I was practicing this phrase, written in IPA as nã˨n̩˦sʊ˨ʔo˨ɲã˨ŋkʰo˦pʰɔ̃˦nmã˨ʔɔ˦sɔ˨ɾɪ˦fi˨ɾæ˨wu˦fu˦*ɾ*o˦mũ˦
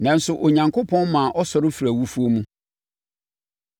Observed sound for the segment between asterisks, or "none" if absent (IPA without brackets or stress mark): none